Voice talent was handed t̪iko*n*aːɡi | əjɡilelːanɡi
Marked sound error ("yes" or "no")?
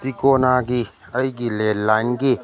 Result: no